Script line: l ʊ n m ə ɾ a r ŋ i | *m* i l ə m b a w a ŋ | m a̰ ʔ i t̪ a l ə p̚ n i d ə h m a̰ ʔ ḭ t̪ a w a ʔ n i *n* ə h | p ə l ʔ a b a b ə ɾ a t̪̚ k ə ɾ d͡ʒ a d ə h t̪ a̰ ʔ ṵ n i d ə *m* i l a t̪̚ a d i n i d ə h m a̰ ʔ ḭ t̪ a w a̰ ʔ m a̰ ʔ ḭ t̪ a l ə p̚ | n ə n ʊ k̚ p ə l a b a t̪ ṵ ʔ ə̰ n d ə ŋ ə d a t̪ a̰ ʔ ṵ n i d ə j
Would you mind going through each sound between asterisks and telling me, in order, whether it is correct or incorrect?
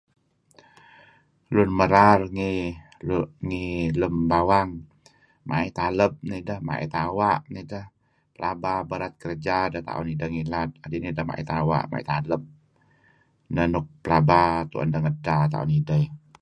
incorrect, incorrect, incorrect

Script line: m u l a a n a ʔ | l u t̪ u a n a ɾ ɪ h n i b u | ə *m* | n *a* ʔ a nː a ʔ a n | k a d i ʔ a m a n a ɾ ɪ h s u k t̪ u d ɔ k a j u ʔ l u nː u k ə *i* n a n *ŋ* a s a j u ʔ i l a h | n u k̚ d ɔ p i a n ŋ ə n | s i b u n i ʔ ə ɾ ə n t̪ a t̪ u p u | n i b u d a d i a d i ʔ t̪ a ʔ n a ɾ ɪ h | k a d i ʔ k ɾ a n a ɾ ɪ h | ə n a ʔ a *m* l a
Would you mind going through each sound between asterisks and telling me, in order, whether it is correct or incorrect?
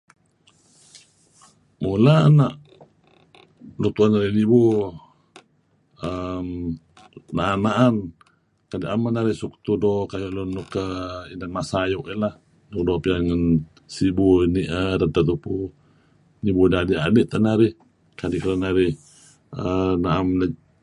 correct, correct, correct, incorrect, correct

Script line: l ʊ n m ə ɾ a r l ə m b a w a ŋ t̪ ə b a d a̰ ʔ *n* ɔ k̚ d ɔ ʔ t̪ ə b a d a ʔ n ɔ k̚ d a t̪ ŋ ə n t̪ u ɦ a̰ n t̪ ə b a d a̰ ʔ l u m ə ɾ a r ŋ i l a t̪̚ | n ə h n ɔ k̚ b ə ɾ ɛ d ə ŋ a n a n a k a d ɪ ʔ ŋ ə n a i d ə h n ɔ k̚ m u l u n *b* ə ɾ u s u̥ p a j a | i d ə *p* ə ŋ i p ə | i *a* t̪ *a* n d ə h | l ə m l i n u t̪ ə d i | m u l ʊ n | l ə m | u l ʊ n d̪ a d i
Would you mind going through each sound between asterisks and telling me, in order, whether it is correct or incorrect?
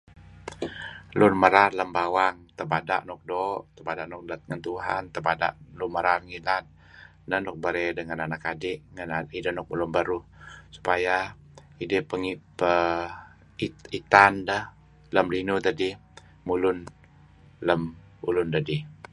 correct, correct, correct, incorrect, correct

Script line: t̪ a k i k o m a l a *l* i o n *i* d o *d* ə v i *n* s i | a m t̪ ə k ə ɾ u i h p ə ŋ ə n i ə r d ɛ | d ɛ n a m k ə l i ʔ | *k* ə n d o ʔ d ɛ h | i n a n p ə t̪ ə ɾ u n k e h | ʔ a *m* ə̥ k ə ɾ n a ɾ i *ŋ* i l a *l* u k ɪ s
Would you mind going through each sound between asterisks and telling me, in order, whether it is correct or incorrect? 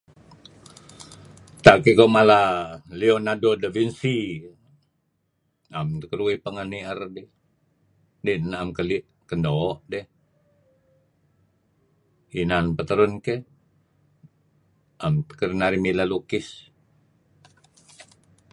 correct, incorrect, correct, correct, correct, correct, incorrect, correct

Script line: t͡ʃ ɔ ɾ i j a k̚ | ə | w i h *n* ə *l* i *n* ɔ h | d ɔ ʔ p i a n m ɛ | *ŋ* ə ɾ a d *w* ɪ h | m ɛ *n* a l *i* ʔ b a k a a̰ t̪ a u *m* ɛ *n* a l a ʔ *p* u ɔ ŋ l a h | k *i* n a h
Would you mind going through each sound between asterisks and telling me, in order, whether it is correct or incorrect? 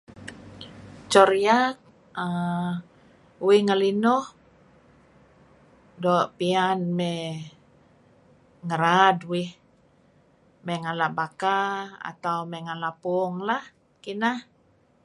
incorrect, correct, correct, correct, correct, incorrect, incorrect, correct, incorrect, correct, correct

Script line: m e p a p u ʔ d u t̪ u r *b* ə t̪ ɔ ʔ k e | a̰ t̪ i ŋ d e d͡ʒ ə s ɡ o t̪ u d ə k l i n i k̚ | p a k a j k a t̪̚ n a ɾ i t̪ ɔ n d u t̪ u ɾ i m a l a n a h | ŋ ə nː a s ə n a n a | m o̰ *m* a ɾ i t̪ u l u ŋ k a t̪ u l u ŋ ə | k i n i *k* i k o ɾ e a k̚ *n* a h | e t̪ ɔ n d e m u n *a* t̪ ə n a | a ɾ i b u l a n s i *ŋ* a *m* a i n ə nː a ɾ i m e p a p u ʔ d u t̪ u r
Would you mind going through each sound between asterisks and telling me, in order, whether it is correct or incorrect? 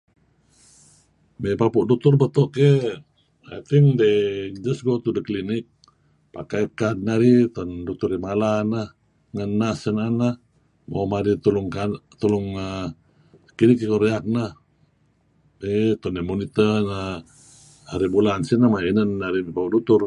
correct, correct, correct, correct, incorrect, incorrect, correct

